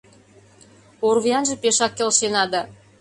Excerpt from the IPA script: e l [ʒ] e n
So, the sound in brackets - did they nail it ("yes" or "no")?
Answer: no